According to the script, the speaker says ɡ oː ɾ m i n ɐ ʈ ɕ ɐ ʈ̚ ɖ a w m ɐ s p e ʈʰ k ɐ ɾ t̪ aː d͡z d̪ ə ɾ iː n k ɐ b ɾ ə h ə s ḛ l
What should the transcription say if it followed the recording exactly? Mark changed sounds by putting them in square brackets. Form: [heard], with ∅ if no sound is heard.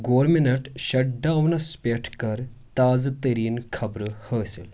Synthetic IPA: ɡ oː ɾ m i n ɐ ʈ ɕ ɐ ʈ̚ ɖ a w [n] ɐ s p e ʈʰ k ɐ ɾ t̪ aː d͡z [t̪] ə ɾ iː n [kʰ] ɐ b ɾ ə h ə s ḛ l